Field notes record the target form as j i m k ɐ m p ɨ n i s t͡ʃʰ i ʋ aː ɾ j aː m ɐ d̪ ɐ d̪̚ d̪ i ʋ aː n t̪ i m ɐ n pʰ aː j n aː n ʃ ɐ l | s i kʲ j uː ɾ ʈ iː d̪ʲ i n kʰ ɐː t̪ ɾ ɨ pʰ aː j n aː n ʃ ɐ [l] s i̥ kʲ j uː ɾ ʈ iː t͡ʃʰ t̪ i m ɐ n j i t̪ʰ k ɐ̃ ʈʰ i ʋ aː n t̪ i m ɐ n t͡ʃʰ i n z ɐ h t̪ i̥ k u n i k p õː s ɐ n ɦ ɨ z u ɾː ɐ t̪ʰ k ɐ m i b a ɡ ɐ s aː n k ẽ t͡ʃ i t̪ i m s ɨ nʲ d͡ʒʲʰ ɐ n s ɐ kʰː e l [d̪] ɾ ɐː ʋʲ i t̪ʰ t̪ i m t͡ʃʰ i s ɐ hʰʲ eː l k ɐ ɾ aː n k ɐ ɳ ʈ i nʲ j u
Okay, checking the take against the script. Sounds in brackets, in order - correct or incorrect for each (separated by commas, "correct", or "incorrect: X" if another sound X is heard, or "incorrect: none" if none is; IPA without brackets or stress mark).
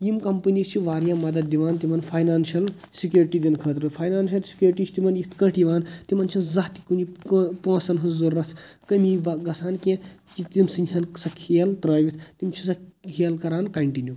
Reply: correct, incorrect: t̪